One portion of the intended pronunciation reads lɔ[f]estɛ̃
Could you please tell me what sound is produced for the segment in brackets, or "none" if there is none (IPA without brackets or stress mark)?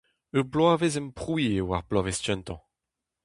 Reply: v